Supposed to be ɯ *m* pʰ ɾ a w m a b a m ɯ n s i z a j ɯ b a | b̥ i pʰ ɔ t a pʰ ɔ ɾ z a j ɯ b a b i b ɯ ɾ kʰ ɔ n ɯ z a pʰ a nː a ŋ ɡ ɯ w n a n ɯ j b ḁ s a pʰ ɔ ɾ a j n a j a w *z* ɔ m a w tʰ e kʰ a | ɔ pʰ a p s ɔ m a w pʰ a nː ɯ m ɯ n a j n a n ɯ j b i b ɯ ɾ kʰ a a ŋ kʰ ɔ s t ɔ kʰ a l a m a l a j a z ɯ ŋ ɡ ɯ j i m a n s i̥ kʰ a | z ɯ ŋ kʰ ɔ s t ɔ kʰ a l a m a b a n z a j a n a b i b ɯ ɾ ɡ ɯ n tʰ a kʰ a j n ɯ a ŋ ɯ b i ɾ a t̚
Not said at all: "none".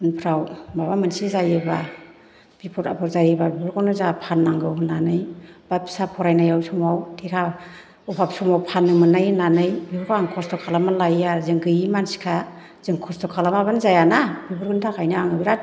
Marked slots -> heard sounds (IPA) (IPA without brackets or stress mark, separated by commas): n, s